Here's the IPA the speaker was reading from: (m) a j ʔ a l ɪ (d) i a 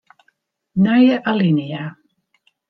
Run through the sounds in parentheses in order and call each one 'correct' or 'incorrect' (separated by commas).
incorrect, incorrect